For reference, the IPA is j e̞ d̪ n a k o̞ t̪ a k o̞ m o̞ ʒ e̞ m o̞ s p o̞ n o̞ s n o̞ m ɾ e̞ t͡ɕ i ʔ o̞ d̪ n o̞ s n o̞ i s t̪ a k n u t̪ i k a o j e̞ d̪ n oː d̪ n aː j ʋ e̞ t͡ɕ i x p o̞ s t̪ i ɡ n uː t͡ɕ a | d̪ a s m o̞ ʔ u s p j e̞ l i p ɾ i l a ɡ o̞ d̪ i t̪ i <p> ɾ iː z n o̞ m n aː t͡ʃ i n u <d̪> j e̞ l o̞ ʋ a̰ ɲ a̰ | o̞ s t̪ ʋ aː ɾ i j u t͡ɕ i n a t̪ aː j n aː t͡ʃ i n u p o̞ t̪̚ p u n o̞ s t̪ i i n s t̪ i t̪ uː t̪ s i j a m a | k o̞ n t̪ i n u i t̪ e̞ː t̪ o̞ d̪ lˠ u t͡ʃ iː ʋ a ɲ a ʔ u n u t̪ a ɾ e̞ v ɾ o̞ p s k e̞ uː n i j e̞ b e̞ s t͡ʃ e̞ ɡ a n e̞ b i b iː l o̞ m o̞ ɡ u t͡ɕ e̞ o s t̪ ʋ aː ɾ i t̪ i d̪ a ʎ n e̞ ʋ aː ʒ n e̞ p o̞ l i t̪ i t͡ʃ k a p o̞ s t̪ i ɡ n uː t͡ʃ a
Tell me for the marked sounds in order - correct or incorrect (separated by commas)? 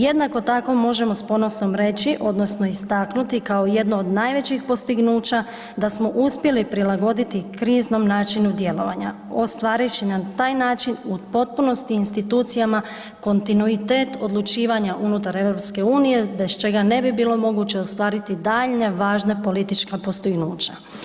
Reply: incorrect, correct